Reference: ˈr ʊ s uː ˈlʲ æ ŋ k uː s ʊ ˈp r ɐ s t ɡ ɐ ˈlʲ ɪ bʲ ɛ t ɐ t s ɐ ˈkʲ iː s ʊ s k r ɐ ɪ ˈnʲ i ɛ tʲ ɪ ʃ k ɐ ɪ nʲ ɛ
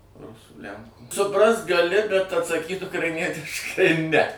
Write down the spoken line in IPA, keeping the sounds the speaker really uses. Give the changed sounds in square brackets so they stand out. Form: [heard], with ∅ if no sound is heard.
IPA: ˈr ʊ s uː ˈlʲ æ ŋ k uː s ʊ ˈp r ɐ s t ɡ ɐ ˈlʲ ɪ bʲ ɛ t ɐ t s ɐ ˈkʲ iː [t] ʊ [∅] k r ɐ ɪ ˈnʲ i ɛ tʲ ɪ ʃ k ɐ ɪ nʲ ɛ